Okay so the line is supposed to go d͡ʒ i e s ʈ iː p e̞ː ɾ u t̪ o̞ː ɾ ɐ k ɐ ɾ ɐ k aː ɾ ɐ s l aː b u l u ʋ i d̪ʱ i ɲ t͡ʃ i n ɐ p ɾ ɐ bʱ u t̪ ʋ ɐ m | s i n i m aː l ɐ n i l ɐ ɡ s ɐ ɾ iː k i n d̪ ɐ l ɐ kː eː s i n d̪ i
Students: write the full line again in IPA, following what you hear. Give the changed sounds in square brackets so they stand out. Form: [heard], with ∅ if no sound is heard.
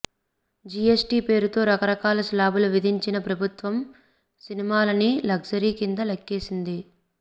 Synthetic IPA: d͡ʒ i e s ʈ iː p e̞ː ɾ u t̪ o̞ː ɾ ɐ k ɐ ɾ ɐ k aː [l] ɐ s l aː b u l u ʋ i d̪ʱ i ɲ t͡ʃ i n ɐ p ɾ ɐ bʱ u t̪ ʋ ɐ m | s i n i m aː l ɐ n i l ɐ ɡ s ɐ ɾ iː k i n d̪ ɐ l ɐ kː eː s i n d̪ i

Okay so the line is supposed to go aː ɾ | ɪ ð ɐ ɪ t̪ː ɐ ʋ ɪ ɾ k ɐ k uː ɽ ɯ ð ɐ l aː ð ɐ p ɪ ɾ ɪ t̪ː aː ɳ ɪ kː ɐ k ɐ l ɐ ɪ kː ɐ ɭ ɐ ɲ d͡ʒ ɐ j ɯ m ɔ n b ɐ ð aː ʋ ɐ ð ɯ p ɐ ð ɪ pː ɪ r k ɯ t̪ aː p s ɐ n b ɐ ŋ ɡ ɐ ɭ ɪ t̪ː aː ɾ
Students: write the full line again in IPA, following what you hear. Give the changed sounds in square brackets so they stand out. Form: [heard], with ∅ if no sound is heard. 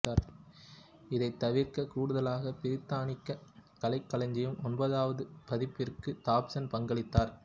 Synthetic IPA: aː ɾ | ɪ ð ɐ ɪ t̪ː ɐ ʋ ɪ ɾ k ɐ k uː ɽ ɯ ð ɐ l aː [ɣ] ɐ p ɪ ɾ ɪ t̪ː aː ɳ ɪ kː ɐ k ɐ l ɐ ɪ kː ɐ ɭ ɐ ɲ d͡ʒ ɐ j ɯ m ɔ n b ɐ ð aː ʋ ɐ ð ɯ p ɐ ð ɪ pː ɪ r k ɯ t̪ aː p s ɐ n [p] ɐ ŋ ɡ ɐ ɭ ɪ t̪ː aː ɾ

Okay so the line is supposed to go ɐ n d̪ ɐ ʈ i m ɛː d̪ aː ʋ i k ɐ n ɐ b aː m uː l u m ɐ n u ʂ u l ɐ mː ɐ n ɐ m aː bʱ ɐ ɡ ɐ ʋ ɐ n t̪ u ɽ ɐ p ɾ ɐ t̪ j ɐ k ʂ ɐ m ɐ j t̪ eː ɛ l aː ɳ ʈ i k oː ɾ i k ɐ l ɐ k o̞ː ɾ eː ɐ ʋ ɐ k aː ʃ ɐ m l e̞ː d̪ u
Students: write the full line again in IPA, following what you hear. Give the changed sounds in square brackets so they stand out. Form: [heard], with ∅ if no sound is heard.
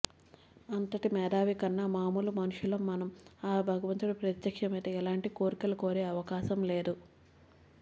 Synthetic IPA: ɐ n [t̪] ɐ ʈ i m ɛː d̪ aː ʋ i k ɐ [nː] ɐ [m] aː m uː l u m ɐ n u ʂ u l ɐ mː ɐ n ɐ m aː bʱ ɐ ɡ ɐ ʋ ɐ n t̪ u ɽ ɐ p ɾ ɐ t̪ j ɐ k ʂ ɐ m ɐ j t̪ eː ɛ l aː ɳ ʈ i k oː ɾ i k ɐ l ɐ k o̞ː ɾ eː ɐ ʋ ɐ k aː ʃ ɐ m l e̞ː d̪ u

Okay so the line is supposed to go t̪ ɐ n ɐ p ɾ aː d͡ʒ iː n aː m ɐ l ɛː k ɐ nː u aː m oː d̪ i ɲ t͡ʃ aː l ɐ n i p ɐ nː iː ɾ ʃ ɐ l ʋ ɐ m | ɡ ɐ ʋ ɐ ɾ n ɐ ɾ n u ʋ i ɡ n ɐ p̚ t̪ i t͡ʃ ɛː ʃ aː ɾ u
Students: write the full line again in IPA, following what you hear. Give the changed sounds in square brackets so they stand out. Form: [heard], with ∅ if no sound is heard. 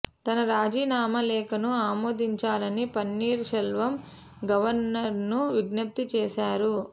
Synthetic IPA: t̪ ɐ n ɐ [∅] ɾ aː d͡ʒ iː n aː m ɐ l ɛː k ɐ [n] u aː m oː d̪ i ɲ t͡ʃ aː l ɐ n i p ɐ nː iː ɾ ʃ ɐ l ʋ ɐ m | ɡ ɐ ʋ ɐ ɾ n ɐ ɾ n u ʋ i ɡ n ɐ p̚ t̪ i t͡ʃ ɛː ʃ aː ɾ u

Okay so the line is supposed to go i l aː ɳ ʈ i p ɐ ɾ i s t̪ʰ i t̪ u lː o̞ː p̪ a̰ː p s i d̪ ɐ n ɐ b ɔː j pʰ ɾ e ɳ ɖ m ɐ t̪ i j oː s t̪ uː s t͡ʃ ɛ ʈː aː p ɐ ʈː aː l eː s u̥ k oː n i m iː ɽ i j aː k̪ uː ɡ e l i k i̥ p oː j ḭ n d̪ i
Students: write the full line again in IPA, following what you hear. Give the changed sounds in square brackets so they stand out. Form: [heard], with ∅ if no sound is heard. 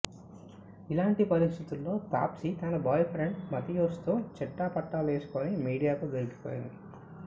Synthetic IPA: i l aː ɳ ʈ i p ɐ ɾ i s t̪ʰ i t̪ u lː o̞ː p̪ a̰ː p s i [t̪] ɐ n ɐ b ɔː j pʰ ɾ e ɳ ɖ m ɐ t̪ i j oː s t̪ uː [∅] t͡ʃ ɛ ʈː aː p ɐ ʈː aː l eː s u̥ k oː n i m iː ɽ i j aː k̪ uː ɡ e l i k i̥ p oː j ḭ n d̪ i

